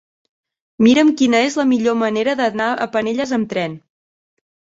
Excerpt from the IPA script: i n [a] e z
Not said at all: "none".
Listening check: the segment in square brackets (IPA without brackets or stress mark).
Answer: ə